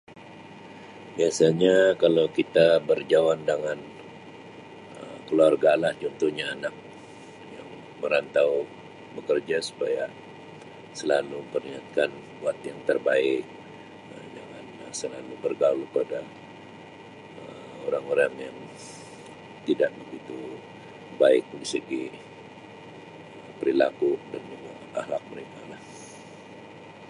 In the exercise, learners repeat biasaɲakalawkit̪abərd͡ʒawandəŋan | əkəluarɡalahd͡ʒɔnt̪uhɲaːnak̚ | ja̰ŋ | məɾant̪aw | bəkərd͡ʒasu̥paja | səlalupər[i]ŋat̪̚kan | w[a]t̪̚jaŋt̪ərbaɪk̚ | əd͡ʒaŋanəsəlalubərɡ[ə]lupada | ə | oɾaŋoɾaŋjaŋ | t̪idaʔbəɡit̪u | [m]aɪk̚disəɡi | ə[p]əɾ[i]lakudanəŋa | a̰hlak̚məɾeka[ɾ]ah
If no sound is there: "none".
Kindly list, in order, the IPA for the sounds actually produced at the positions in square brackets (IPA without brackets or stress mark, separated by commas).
i, a, a, b, p, i, l